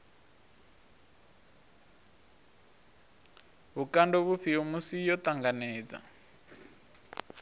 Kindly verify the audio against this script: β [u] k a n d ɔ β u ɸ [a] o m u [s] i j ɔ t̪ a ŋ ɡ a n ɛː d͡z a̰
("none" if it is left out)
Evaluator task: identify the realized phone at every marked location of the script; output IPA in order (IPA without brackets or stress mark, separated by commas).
u, i, s